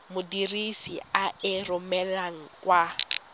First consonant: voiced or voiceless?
voiced